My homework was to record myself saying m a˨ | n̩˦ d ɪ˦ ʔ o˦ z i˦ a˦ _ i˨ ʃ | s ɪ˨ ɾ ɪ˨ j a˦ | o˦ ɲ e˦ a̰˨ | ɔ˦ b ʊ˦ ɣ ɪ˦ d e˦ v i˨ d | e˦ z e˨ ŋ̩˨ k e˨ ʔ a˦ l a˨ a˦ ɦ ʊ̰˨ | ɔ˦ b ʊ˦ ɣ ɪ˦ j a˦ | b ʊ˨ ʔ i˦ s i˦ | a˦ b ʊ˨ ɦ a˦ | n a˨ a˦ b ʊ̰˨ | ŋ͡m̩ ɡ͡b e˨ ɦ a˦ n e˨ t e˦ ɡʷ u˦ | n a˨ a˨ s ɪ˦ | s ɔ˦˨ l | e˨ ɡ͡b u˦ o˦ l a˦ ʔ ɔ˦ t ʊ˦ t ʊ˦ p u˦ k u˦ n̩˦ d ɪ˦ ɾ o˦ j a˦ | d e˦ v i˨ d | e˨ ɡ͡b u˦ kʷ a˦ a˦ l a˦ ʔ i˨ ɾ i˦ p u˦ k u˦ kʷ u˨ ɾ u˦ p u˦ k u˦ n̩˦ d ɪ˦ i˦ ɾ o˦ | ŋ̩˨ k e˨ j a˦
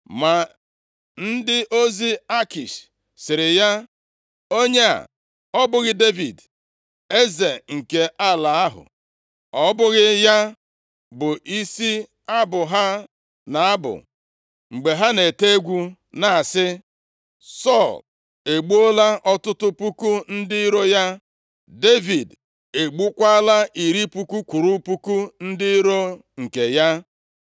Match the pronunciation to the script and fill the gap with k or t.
k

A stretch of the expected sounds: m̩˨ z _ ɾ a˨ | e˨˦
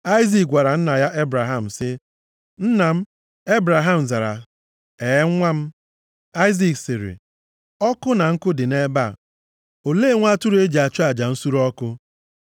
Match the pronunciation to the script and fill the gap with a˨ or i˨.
a˨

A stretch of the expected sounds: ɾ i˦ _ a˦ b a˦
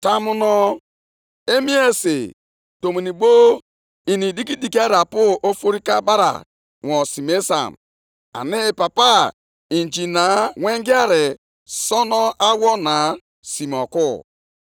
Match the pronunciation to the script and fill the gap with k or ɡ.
k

